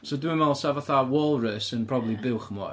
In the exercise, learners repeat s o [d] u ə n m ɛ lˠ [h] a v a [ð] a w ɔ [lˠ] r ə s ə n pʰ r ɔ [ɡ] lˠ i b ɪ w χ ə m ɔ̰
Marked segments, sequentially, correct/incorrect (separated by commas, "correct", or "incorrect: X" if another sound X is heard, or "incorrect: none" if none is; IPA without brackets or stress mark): correct, incorrect: s, incorrect: θ, correct, incorrect: b